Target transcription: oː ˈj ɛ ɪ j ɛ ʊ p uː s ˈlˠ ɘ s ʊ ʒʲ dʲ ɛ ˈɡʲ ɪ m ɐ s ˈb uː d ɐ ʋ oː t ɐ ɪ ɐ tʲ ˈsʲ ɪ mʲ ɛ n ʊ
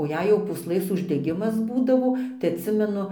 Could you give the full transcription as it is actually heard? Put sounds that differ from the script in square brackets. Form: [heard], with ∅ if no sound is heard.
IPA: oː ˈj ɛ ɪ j ɛ ʊ p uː s ˈlˠ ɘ s ʊ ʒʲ dʲ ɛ ˈɡʲ ɪ m ɐ s ˈb uː d ɐ ʋ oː t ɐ ɪ ɐ tʲ ˈsʲ ɪ mʲ ɛ n ʊ